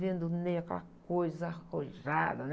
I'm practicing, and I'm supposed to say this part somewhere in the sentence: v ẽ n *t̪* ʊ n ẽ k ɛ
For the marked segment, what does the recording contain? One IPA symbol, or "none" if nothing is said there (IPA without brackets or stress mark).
d̪